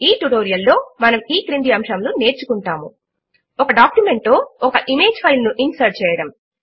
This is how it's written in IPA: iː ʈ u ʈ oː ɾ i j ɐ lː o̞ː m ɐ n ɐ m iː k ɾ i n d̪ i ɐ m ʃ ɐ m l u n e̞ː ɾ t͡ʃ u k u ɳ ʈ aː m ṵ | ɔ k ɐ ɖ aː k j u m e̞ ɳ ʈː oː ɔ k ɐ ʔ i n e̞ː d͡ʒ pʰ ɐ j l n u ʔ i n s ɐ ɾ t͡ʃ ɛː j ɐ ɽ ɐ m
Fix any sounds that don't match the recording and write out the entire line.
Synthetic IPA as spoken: iː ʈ u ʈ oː ɾ i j ɐ lː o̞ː m ɐ n ɐ m iː k ɾ i n d̪ i ɐ m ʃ ɐ m l u n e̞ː ɾ t͡ʃ u k u ɳ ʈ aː m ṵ | ɔ k ɐ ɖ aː k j u m e̞ ɳ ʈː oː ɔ k ɐ ʔ i m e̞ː d͡ʒ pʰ ɐ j l n u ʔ i n s ɐ ɾ t͡ʃ ɛː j ɐ ɽ ɐ m